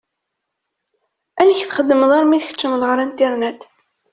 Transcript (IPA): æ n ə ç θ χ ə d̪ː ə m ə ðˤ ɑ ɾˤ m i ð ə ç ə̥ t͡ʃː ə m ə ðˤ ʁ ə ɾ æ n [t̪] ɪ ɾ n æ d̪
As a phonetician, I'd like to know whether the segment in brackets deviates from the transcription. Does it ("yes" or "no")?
no